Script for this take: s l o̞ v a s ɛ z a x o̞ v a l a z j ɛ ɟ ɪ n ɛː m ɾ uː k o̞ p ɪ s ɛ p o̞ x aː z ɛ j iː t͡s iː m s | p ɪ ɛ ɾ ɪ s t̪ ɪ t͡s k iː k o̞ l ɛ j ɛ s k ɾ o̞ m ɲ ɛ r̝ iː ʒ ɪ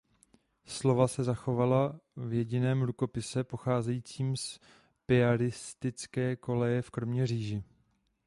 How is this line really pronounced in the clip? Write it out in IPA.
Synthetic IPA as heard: s l o̞ v a s ɛ z a x o̞ v a l a v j ɛ ɟ ɪ n ɛː m ɾ u k o̞ p ɪ s ɛ p o̞ x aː z ɛ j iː t͡s iː m s | p ɪ a ɾ ɪ s t̪ ɪ t͡s k ɛː k o̞ l ɛ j ɛ f k ɾ o̞ m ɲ ɛ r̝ iː ʒ ɪ